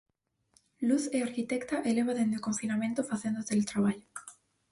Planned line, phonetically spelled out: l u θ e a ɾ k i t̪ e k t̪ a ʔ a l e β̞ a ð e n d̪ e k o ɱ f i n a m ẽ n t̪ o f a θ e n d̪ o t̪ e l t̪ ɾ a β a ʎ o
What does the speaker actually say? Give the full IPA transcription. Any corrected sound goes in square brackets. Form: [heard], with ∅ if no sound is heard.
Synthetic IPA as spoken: l u θ e a ɾ k i t̪ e k t̪ a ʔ [e] l e β̞ a ð e n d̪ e k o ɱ f i n a m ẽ n t̪ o f a θ e n d̪ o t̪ e l t̪ ɾ a β a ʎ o